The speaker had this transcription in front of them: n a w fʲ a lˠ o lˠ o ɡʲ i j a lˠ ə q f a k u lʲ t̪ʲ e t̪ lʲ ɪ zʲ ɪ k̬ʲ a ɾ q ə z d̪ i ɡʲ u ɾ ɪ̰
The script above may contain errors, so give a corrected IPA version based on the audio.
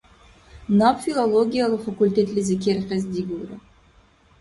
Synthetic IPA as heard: n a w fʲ i lˠ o lˠ o ɡʲ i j a lˠ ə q f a k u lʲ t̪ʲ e t̪ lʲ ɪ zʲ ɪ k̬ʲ e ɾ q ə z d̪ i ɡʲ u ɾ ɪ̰